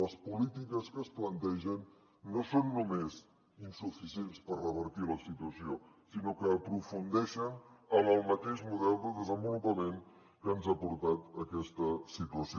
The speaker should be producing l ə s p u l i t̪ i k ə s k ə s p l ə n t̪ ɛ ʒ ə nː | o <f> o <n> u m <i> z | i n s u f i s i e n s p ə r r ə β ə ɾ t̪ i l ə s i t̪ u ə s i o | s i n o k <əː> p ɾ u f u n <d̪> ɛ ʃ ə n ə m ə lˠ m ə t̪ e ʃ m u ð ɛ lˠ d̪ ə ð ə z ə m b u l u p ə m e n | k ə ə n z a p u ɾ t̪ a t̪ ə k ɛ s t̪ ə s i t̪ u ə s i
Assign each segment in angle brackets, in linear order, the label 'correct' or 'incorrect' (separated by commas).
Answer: incorrect, incorrect, incorrect, correct, correct